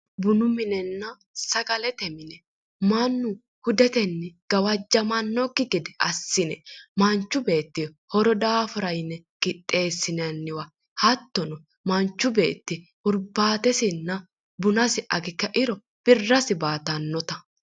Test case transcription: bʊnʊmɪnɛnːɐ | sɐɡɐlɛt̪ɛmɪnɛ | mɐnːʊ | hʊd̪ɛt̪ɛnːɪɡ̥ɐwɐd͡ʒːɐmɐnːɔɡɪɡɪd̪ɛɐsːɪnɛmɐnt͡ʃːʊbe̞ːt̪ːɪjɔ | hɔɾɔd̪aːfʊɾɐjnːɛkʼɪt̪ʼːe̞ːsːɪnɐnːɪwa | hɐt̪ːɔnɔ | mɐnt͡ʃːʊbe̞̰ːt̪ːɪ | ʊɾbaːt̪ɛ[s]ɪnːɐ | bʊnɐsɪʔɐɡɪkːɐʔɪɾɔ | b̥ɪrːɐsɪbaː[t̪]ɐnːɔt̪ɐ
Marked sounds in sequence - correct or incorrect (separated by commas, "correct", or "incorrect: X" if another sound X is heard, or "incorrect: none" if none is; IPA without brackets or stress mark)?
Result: correct, correct